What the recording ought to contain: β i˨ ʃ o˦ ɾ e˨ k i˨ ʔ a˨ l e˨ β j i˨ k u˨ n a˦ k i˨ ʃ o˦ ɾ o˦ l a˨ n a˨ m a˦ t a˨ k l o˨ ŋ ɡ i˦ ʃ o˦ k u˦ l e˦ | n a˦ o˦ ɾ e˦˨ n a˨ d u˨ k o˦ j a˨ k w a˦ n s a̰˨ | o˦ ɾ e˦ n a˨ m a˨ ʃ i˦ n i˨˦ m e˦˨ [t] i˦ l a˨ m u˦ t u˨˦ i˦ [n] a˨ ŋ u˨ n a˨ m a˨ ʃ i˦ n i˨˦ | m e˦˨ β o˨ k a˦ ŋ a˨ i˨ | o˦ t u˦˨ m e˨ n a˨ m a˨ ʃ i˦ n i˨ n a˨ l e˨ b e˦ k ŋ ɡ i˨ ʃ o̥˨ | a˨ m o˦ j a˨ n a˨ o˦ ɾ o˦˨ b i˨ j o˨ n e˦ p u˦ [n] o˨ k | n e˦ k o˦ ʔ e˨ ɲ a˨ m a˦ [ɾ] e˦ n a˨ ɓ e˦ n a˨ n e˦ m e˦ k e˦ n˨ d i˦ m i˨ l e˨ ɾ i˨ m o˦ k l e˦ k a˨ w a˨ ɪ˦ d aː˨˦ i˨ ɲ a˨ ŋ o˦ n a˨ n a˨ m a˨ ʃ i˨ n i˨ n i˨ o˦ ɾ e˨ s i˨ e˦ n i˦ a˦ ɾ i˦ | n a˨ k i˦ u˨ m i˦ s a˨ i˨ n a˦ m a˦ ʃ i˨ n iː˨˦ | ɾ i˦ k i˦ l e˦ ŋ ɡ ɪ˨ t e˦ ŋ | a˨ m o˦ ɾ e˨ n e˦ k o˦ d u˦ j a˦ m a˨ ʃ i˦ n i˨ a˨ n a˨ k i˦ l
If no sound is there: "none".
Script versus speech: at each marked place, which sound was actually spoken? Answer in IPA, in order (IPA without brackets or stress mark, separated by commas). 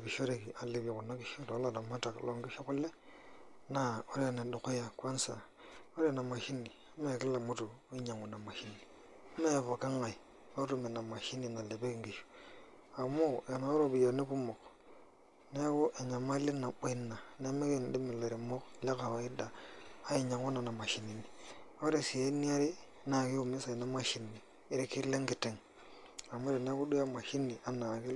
k, ɲ, m, l